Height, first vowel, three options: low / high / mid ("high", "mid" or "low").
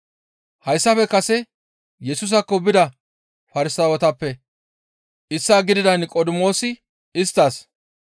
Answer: low